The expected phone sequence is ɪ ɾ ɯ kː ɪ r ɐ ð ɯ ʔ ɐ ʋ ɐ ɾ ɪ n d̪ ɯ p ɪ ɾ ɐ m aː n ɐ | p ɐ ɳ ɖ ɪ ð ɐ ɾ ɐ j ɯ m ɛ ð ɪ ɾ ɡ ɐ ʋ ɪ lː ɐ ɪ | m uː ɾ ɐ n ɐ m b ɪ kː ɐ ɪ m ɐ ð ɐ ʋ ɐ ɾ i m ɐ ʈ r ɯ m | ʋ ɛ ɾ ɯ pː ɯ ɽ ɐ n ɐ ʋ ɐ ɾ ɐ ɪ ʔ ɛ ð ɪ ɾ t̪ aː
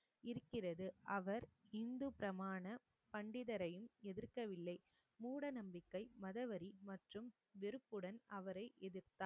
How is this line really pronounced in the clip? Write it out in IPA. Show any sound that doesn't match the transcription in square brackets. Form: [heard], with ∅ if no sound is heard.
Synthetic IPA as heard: ɪ ɾ ɯ kː ɪ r ɐ ð ɯ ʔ ɐ ʋ ɐ ɾ ɪ n d̪ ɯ p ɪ ɾ ɐ m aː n ɐ | p ɐ ɳ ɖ ɪ ð ɐ ɾ ɐ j ɯ m ɛ ð ɪ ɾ [k] ɐ ʋ ɪ lː ɐ ɪ | m uː [ɽ] ɐ n ɐ m b ɪ kː ɐ ɪ m ɐ ð ɐ ʋ ɐ ɾ i m ɐ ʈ r ɯ m | ʋ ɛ ɾ ɯ pː ɯ ɽ ɐ n ɐ ʋ ɐ ɾ ɐ ɪ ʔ ɛ ð ɪ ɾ t̪ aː